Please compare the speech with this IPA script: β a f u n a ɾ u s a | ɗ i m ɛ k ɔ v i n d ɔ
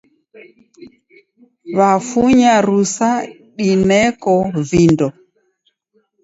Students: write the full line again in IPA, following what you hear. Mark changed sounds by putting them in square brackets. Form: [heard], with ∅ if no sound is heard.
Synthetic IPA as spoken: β a f u [ɲ] a ɾ u s a | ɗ i [n] ɛ k ɔ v i n d ɔ